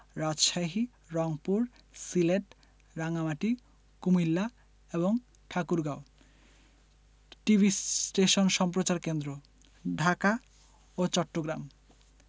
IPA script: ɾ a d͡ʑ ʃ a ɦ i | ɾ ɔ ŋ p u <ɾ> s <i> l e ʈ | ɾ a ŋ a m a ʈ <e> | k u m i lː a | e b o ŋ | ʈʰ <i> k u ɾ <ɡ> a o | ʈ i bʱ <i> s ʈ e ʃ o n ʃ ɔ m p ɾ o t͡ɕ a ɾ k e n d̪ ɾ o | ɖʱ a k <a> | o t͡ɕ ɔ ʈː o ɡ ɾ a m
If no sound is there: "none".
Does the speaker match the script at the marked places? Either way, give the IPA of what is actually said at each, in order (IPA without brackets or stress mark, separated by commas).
ɾ, i, i, a, ɡ, i, a